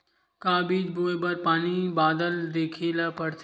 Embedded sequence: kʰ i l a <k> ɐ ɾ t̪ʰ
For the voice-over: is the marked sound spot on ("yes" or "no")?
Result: no